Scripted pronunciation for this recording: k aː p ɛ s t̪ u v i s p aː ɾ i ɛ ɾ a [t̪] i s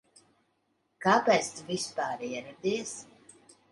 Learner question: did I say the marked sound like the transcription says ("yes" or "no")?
no